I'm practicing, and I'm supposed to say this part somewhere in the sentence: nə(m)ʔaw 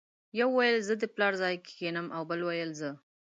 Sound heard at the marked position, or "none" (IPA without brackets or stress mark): m